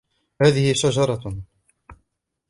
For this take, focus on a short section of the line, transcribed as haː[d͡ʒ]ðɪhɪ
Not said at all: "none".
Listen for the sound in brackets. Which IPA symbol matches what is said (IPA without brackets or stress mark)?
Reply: none